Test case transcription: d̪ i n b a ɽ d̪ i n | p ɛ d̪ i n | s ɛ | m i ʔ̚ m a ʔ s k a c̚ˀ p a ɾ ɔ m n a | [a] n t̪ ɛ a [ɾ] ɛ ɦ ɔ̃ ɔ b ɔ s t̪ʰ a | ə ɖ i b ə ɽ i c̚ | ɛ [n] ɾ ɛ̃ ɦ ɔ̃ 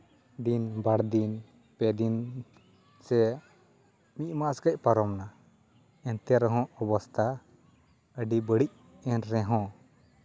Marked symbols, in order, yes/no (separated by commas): no, yes, yes